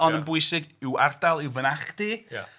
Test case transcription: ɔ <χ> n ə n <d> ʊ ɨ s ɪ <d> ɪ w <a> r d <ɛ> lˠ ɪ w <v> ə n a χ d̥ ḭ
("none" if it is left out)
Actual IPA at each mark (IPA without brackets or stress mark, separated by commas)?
none, b, ɡ, a, a, v